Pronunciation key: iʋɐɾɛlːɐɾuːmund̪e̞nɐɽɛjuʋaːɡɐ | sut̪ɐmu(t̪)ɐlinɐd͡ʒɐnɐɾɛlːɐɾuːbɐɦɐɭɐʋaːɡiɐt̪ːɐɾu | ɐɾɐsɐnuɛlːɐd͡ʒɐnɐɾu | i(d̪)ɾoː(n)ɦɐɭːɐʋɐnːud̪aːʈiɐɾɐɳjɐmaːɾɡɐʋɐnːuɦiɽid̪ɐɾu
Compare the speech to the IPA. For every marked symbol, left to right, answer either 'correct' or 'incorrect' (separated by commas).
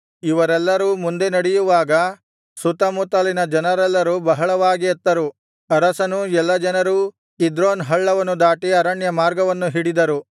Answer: correct, correct, correct